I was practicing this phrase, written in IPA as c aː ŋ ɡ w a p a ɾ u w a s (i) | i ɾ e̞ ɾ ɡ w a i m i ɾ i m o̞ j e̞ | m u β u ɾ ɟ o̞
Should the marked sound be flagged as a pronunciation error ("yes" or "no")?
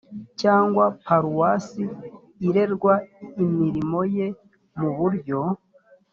no